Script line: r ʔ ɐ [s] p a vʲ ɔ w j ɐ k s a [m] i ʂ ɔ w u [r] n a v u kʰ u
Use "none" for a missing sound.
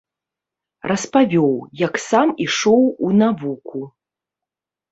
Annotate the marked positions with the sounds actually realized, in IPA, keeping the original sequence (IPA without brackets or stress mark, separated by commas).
s, m, none